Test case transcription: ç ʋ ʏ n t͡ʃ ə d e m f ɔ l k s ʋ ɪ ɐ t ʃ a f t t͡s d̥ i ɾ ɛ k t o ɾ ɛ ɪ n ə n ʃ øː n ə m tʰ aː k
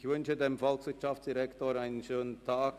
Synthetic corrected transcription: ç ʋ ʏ n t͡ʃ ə d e m f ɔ l k s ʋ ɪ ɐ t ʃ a f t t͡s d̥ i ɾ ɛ k t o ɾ a ɪ n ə n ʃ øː n ə n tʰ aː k